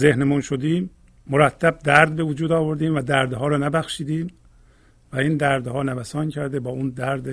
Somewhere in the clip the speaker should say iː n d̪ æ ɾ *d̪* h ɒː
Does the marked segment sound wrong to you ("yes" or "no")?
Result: no